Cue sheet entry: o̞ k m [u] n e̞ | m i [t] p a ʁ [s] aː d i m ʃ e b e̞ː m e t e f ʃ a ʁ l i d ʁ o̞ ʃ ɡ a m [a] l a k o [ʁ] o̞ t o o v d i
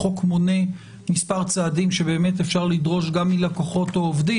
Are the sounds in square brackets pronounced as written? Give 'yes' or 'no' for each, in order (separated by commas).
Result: no, no, no, no, no